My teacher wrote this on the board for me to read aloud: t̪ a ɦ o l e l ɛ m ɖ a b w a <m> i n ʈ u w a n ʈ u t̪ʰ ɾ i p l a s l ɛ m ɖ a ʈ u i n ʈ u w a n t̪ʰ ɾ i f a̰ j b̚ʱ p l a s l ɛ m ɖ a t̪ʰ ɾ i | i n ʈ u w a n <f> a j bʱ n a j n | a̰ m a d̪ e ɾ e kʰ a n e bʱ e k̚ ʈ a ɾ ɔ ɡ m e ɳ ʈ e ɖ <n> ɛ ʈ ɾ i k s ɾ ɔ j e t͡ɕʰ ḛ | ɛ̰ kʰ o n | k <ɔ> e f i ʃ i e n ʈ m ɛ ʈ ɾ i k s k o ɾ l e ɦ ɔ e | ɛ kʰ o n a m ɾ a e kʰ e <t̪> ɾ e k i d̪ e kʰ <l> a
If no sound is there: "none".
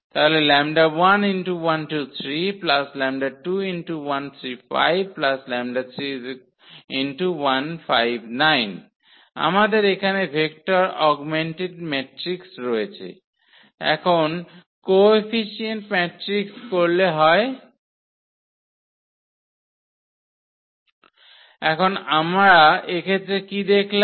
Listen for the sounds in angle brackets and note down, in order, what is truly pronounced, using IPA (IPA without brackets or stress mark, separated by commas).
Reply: n, f, m, o, t̪, l